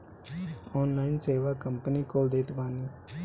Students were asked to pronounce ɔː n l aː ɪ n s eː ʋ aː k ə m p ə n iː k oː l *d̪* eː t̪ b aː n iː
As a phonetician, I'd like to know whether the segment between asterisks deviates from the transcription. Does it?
no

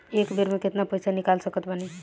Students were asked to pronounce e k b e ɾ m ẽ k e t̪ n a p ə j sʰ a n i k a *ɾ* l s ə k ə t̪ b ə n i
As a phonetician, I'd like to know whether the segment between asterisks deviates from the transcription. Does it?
yes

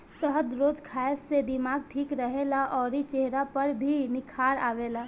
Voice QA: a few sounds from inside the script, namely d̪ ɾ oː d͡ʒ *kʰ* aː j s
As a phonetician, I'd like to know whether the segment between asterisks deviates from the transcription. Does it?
no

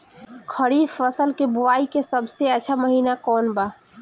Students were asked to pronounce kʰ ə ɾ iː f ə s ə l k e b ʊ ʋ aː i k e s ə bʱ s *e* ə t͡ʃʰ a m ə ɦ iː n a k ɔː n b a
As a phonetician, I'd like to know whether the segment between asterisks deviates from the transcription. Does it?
no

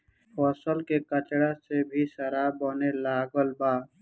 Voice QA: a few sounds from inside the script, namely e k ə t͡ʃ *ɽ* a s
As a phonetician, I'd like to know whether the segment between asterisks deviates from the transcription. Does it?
no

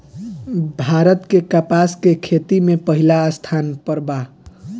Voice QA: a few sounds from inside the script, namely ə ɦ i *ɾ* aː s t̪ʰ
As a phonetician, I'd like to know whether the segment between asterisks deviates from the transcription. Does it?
yes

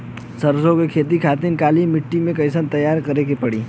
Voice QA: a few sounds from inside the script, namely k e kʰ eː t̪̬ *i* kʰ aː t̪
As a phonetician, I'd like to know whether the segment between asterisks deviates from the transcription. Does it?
no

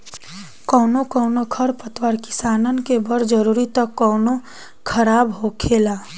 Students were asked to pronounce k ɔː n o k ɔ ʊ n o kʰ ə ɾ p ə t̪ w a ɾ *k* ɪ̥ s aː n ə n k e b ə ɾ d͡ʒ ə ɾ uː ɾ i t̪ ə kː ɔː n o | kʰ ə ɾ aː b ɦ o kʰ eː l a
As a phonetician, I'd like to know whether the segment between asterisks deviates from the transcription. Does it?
no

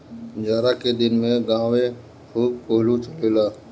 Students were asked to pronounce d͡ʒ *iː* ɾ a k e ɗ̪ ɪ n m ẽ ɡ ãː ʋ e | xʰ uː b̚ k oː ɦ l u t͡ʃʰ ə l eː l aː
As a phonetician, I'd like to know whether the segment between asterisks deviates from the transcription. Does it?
yes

